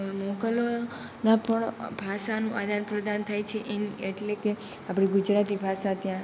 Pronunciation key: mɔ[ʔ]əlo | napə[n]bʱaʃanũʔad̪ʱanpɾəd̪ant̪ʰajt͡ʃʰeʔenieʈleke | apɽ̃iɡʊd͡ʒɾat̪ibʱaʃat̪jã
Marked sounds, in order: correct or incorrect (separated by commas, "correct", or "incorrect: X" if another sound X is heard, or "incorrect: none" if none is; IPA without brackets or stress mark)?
incorrect: k, incorrect: ɳ